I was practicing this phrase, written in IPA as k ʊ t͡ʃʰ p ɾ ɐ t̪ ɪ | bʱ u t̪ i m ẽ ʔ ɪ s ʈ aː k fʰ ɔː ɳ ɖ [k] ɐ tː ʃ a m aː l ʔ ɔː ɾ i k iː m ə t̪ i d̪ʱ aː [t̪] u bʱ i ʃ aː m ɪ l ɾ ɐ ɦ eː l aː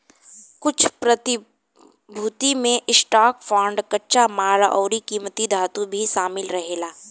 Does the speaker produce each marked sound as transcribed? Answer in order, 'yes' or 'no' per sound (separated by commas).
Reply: yes, yes